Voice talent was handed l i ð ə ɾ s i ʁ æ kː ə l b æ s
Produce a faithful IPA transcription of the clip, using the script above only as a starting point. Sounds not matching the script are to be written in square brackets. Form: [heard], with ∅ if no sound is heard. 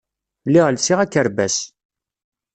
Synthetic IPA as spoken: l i [ʁ] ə [l] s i ʁ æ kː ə [ɾ] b æ s

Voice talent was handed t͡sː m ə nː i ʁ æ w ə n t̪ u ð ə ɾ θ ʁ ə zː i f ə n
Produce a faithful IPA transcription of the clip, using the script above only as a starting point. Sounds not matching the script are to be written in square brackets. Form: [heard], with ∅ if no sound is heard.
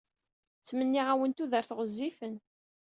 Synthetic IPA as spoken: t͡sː m ə nː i ʁ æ w ə n t̪ u ð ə ɾ θ ʁ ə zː i f ə n

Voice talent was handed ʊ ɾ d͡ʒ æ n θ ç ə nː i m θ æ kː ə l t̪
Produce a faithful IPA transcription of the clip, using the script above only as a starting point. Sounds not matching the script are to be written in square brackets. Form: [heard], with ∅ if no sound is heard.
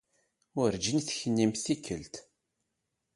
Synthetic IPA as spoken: ʊ ɾ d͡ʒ [i] n θ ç ə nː i m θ [i] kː ə l t̪

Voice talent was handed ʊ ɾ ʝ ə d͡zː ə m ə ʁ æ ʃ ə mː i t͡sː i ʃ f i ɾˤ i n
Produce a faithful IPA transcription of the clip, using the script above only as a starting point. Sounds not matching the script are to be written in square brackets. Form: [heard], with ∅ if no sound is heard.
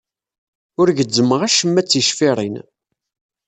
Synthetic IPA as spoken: ʊ ɾ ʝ ə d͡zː ə m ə ʁ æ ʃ ə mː [æ] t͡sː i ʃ f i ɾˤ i n

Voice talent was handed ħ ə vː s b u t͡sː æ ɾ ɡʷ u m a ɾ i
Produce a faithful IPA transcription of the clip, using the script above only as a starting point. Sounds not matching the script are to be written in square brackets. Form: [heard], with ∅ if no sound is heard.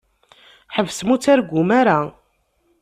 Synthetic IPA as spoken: ħ ə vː s [m] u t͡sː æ ɾ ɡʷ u m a ɾ [a]

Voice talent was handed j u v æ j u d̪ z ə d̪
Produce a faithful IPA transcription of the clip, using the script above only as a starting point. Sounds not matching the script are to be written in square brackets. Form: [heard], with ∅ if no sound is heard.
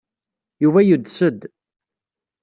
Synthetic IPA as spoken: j u v æ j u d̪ [s] ə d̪

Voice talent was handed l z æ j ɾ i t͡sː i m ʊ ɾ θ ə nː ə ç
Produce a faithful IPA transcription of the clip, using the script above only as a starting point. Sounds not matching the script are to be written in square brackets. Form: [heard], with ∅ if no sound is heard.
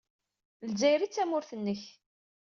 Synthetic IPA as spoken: l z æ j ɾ i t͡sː [æ] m ʊ ɾ θ ə nː ə ç

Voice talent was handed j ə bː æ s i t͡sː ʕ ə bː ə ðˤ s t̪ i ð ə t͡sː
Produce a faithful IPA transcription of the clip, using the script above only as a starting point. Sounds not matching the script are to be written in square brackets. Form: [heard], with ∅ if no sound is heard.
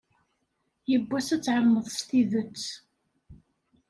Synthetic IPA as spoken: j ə bː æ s [æ] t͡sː ʕ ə [mː] ə ðˤ s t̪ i ð ə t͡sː

